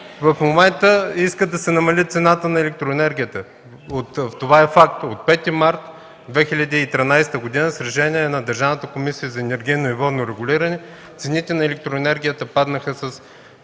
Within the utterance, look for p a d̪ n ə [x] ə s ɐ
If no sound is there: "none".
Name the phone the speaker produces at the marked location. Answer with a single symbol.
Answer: x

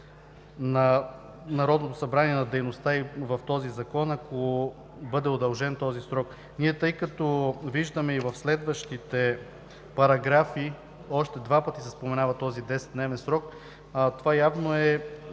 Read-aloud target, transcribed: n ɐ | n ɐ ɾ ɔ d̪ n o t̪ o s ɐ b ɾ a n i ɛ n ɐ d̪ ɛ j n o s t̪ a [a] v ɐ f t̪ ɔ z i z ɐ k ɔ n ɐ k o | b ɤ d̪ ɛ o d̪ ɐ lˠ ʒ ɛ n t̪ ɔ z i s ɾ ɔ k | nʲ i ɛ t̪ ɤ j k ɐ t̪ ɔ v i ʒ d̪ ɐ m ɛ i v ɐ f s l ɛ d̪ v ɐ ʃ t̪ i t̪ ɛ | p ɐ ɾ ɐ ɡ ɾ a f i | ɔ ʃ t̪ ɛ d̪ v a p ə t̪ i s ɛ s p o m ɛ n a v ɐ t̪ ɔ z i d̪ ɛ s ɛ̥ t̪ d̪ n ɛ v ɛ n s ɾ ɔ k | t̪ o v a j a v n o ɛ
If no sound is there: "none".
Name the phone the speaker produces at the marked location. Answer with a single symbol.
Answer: i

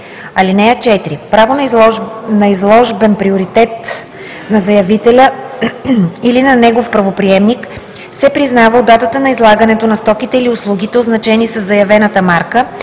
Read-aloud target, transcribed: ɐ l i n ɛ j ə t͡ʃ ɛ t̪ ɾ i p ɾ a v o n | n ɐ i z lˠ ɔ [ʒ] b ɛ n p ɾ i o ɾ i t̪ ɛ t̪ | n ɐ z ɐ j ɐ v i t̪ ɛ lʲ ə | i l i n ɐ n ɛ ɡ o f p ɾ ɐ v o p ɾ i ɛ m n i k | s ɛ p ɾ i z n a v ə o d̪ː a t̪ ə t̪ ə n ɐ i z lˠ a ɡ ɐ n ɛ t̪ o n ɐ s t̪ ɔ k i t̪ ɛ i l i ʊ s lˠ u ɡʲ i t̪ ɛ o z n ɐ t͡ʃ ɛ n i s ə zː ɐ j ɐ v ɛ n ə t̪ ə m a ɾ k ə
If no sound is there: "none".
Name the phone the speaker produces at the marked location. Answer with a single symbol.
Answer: ʒ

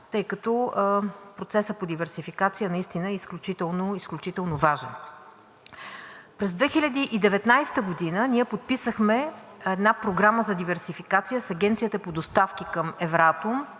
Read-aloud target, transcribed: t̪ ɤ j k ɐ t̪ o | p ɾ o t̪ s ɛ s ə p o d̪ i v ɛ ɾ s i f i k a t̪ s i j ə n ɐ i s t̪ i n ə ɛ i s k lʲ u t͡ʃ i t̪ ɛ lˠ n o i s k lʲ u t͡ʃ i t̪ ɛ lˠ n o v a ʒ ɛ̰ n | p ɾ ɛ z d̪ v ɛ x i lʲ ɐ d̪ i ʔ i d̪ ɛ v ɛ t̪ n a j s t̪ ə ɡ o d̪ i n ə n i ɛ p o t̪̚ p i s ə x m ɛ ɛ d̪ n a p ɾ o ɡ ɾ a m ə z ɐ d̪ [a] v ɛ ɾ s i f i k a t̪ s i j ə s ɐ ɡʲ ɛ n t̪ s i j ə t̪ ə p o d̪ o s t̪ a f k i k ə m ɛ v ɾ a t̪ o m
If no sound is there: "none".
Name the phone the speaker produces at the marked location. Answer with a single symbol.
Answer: i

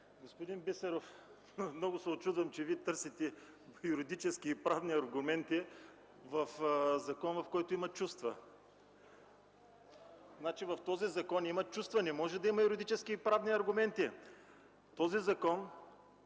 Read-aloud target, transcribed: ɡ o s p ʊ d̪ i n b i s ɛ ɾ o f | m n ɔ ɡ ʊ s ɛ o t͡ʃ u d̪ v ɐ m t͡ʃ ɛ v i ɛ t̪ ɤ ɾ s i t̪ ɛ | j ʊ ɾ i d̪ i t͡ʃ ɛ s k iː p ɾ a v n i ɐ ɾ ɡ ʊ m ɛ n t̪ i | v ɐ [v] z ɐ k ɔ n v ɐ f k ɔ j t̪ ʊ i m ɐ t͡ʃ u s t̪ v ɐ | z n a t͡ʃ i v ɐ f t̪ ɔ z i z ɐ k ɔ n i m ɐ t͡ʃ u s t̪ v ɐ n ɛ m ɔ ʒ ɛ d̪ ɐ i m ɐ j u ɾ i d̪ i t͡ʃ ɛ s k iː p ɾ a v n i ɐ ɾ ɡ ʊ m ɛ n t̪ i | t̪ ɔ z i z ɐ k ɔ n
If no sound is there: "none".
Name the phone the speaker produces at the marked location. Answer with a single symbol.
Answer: f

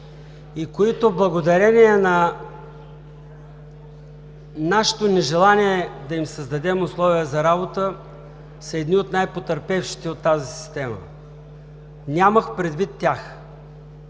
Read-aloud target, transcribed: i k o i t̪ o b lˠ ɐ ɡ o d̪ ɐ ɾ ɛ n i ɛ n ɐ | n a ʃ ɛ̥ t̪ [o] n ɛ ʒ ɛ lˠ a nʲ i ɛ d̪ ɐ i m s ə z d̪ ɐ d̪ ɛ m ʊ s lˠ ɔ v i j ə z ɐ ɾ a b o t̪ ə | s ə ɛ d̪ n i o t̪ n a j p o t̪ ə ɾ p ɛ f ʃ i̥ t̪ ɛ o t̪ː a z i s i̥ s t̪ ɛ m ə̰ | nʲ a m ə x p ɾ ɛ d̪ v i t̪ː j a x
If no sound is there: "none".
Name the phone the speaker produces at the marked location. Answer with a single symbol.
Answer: o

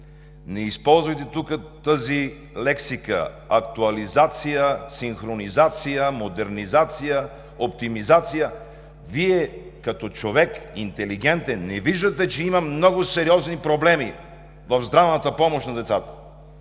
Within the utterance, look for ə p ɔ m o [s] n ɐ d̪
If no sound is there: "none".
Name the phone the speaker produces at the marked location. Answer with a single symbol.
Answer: ʃ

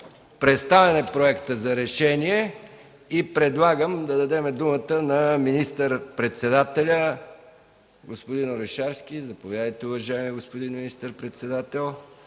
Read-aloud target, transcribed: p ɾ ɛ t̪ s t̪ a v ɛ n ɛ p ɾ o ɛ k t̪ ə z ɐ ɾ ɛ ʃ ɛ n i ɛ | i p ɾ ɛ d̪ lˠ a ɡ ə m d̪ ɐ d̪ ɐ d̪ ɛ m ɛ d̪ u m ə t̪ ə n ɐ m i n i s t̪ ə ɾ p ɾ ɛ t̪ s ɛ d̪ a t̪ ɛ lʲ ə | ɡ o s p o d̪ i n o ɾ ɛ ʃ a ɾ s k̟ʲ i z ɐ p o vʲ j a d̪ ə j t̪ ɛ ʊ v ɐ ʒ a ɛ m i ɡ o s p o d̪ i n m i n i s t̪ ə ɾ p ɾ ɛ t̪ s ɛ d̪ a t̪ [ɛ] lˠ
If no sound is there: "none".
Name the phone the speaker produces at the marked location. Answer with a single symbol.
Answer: ɛ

